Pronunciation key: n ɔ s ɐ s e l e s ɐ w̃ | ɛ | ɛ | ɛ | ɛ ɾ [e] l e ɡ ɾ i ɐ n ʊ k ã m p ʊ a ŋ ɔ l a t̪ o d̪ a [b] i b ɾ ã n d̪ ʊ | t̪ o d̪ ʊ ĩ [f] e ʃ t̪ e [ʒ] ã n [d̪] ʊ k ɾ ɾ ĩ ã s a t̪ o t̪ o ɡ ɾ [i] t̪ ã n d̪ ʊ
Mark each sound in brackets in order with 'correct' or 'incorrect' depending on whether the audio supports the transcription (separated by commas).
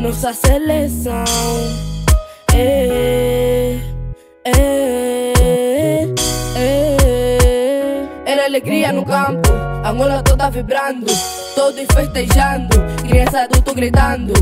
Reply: incorrect, incorrect, correct, correct, correct, correct